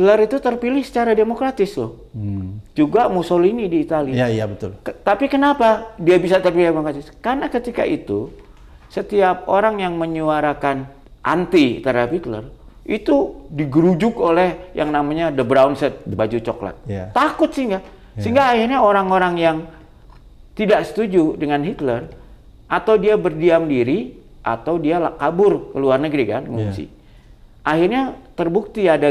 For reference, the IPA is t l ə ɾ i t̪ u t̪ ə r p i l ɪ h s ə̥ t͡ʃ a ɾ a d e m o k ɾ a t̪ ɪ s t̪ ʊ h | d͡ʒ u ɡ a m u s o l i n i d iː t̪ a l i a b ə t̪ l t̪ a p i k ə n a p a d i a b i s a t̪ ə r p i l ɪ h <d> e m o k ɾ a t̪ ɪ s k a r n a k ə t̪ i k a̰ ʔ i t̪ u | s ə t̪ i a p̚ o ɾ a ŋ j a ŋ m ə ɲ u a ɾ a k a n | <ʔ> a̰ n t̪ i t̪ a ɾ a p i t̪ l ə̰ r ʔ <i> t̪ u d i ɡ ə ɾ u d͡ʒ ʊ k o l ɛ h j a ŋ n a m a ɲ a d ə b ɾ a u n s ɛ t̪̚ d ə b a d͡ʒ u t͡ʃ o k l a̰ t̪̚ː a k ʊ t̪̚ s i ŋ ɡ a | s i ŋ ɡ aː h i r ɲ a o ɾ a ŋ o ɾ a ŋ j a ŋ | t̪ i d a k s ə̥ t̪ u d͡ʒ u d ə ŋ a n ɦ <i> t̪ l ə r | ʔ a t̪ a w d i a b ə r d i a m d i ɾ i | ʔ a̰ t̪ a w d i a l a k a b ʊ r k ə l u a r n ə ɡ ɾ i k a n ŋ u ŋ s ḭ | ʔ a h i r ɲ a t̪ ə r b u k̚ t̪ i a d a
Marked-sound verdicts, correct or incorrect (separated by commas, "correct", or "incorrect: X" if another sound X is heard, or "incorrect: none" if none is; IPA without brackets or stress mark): correct, correct, correct, correct